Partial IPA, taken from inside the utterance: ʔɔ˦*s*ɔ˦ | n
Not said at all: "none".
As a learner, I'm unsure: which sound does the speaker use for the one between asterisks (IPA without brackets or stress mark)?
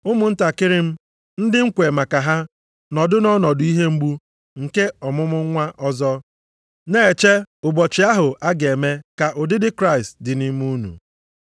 z